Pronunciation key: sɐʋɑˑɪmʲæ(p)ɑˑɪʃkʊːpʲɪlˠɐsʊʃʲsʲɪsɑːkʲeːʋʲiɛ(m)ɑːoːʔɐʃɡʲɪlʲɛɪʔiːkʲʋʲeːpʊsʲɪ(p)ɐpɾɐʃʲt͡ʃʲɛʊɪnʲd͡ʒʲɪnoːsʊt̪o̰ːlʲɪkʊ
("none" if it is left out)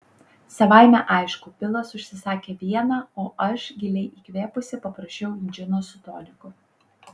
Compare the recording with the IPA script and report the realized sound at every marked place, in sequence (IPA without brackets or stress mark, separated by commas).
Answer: ʔ, n, p